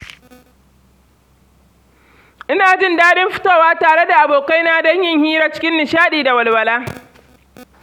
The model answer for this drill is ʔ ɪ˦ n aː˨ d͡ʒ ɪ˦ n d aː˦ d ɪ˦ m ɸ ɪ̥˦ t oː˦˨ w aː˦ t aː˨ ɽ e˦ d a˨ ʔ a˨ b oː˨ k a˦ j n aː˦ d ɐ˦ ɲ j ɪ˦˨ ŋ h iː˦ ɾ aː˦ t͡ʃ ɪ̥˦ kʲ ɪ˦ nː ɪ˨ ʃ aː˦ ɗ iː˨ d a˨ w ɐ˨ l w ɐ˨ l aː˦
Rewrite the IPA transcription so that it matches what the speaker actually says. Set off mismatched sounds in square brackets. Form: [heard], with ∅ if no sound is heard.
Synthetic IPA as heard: ʔ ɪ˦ n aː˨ d͡ʒ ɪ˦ n d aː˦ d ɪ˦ m ɸ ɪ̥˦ t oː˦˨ w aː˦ t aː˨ ɽ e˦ d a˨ ʔ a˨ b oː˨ k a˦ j n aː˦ d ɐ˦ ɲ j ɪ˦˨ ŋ h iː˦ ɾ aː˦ t͡ʃ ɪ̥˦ kʲ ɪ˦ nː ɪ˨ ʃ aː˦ ɗ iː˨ d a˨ w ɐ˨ l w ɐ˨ l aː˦

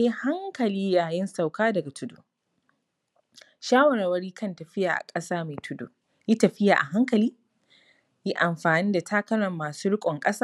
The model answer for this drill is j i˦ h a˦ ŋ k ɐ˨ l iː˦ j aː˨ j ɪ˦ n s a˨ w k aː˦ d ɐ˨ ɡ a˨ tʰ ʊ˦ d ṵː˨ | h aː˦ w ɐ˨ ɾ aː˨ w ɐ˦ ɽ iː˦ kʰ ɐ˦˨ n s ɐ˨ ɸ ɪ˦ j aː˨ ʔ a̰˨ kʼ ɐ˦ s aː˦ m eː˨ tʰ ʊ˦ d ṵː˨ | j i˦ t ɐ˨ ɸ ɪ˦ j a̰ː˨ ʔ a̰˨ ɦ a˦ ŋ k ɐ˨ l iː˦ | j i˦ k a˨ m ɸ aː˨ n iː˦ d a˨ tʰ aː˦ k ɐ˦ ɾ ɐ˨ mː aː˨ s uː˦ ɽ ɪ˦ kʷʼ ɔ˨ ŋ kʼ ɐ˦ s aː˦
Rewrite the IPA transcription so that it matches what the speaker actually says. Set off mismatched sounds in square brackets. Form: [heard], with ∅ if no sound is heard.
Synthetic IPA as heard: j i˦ h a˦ ŋ k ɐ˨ l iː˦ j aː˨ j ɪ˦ n s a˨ w k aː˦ d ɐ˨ ɡ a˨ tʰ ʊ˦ d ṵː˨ | [ʃ] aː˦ w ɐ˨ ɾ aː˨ w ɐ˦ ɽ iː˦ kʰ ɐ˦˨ n [t] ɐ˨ ɸ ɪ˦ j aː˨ ʔ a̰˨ kʼ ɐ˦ s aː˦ m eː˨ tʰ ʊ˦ d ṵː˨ | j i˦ t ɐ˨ ɸ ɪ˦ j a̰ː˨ ʔ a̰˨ ɦ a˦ ŋ k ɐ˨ l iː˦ | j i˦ [ʔ] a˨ m ɸ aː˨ n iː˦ d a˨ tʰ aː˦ k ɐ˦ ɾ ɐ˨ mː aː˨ s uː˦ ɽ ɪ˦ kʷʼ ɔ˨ ŋ kʼ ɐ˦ s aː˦

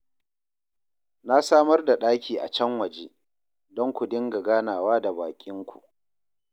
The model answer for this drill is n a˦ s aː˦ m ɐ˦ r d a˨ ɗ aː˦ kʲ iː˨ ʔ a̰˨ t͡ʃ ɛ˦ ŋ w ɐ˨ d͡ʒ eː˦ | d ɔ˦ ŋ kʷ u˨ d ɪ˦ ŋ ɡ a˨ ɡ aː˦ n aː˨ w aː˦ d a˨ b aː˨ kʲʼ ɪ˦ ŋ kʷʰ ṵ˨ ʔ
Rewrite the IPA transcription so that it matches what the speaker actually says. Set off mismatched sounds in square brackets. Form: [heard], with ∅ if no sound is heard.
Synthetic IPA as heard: n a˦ s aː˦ m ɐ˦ r d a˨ ɗ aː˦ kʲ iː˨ ʔ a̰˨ t͡ʃ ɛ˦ ŋ w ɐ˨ d͡ʒ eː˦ | d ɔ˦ ŋ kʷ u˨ d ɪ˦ ŋ ɡ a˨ ɡ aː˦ n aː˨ w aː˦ d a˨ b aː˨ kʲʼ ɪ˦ ŋ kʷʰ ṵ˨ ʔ

